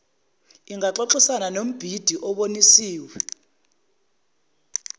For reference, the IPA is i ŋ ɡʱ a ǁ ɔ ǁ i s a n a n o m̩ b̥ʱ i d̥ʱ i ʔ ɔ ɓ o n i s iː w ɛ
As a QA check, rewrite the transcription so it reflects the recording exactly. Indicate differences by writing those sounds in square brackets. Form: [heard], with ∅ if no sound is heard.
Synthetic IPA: i ŋ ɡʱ a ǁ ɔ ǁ i s a n a n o m̩ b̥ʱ i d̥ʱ i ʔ ɔ ɓ o n i s iː w ɛ